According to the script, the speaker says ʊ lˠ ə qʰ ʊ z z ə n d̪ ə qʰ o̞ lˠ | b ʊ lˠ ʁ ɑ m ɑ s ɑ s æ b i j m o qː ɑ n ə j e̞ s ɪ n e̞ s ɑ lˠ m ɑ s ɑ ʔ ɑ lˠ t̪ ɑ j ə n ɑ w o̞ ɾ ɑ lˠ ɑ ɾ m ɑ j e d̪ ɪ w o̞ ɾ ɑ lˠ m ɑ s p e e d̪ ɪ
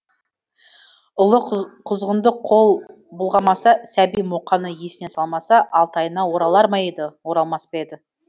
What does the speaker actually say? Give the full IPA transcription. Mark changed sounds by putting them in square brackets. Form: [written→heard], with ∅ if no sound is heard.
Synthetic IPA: ʊ lˠ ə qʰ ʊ z [z→ʁ] ə n d̪ ə qʰ o̞ lˠ | b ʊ lˠ ʁ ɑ m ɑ s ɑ s æ b i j m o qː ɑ n ə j e̞ s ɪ n e̞ s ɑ lˠ m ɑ s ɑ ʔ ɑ lˠ t̪ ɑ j ə n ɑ w o̞ ɾ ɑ lˠ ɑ ɾ m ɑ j e d̪ ɪ w o̞ ɾ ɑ lˠ m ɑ s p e e d̪ ɪ